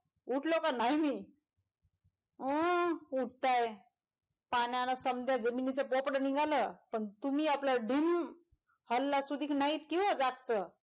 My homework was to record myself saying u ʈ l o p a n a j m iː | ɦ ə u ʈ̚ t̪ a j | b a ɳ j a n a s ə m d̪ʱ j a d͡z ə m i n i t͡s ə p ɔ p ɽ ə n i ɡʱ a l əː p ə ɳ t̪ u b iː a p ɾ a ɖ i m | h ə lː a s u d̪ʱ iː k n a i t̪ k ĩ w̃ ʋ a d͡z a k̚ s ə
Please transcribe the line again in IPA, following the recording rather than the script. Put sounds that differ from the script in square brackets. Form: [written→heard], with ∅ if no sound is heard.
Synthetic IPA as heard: u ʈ l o [p→k] a n a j m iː | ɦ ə u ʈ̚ t̪ a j | [b→p] a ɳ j a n a s ə m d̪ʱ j a d͡z ə m i n i t͡s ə p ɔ p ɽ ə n i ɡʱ a l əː p ə ɳ t̪ u [b→m] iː a p [ɾ→l] a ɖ i m | h ə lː a s u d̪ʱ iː k n a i t̪ k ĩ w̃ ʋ a d͡z a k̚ [s→t͡s] ə